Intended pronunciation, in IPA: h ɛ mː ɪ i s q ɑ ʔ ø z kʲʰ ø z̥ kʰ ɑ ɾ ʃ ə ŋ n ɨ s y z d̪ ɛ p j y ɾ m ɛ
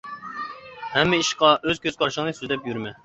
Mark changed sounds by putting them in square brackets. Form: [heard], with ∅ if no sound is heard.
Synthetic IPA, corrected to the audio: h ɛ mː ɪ i [ʃ] q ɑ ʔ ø z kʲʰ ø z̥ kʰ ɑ ɾ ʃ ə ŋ n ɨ s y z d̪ ɛ p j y ɾ m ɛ